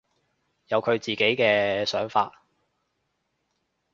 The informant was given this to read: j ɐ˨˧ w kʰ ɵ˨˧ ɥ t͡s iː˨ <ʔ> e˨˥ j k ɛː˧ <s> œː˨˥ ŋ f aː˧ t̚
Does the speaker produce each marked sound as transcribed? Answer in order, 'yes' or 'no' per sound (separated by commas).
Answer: no, yes